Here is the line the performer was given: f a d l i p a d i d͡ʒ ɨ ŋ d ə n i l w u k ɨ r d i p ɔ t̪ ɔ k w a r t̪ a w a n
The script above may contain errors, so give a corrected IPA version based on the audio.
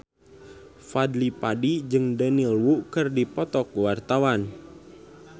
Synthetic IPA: f a d l i p a d i d͡ʒ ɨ ŋ d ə n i l w u k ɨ r d i p ɔ t̪ ɔ k w a r t̪ a w a n